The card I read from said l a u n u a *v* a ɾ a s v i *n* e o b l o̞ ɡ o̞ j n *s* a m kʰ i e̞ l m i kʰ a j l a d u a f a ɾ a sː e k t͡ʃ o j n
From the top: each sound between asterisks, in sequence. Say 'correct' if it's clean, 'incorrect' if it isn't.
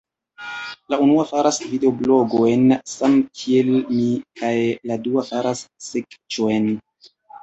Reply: incorrect: f, incorrect: d, correct

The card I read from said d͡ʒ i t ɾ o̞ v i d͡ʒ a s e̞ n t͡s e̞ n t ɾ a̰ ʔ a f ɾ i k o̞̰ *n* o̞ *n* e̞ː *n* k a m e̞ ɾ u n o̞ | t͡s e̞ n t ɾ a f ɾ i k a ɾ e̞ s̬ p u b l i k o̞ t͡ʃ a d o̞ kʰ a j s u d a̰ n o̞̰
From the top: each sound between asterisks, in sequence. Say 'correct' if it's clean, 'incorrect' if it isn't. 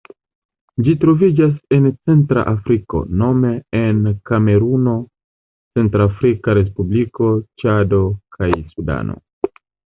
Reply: correct, incorrect: m, correct

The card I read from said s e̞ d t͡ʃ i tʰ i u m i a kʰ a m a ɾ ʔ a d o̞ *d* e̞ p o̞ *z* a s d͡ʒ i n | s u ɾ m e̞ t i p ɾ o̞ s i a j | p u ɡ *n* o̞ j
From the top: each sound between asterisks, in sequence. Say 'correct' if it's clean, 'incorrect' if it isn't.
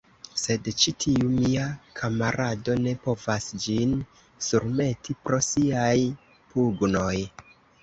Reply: incorrect: n, incorrect: v, correct

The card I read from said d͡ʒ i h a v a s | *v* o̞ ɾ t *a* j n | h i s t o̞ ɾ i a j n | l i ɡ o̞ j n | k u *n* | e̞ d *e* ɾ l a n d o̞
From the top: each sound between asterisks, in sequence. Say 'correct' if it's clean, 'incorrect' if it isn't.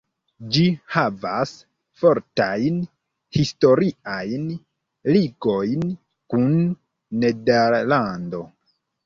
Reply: incorrect: f, correct, incorrect: nː, correct

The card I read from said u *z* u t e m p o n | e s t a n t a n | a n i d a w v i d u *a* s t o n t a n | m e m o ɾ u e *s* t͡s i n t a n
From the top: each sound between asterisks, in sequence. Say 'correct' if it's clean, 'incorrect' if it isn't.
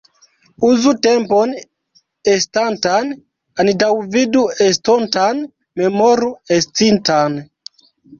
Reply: correct, incorrect: e, correct

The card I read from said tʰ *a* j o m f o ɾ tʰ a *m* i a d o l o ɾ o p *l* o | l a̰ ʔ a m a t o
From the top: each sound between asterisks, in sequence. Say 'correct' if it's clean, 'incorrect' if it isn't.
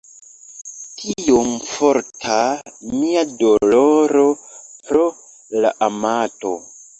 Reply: incorrect: i, correct, incorrect: ɾ

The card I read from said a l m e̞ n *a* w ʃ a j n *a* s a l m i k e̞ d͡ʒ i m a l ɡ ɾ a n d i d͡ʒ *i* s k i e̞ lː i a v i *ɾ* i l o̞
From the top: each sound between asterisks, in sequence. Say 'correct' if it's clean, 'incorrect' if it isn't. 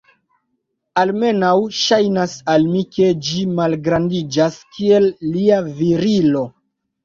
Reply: correct, correct, incorrect: a, correct

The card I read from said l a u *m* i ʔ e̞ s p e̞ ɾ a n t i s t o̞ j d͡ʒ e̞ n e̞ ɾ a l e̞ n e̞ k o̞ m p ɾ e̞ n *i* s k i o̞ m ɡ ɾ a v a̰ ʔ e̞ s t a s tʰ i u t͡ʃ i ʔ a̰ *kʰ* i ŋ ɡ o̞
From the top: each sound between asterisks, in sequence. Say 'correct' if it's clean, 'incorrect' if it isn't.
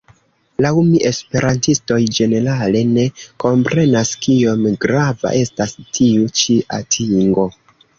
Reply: correct, incorrect: a, incorrect: tʰ

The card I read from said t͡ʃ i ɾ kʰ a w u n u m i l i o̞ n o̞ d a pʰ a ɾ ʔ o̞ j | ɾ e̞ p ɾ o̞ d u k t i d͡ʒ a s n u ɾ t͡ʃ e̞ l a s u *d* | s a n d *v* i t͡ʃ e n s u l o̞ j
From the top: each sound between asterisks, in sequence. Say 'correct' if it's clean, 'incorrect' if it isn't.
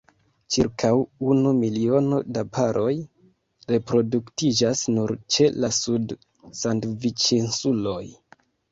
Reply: correct, correct

